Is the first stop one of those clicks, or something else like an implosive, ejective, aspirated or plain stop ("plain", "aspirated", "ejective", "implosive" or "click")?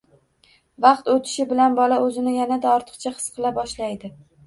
plain